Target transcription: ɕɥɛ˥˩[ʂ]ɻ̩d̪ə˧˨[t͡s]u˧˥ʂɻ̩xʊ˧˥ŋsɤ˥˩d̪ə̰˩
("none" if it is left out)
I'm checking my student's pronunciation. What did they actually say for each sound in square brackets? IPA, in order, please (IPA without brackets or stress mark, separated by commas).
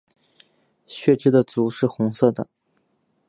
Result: ʈ͡ʂ, t͡s